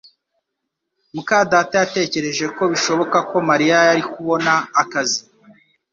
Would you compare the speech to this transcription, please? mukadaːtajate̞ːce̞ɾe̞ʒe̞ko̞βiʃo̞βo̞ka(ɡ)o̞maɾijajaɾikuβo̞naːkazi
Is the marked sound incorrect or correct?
incorrect